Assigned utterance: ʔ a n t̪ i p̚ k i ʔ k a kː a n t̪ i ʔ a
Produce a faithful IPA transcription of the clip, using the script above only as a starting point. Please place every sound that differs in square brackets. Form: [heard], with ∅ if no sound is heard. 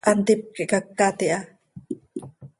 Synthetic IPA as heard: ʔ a n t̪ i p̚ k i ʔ k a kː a [∅] t̪ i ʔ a